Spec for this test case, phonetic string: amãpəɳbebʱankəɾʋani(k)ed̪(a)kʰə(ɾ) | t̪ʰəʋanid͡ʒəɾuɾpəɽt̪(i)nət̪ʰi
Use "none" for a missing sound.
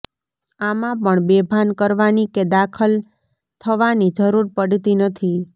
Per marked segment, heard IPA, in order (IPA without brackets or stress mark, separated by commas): k, a, l, i